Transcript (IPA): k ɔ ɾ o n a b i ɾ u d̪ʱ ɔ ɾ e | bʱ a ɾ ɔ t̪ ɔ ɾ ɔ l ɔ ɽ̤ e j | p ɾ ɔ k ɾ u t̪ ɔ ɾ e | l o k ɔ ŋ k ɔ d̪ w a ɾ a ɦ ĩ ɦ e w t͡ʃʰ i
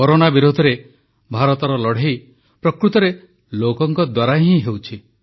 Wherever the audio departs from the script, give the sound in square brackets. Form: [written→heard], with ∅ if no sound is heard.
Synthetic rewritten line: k ɔ ɾ o n a b i ɾ u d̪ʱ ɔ ɾ e | bʱ a ɾ ɔ t̪ ɔ ɾ ɔ l ɔ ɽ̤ e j | p ɾ ɔ k ɾ u t̪ ɔ ɾ e | l o k ɔ ŋ k ɔ d̪ w a ɾ a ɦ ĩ ɦ e w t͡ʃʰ i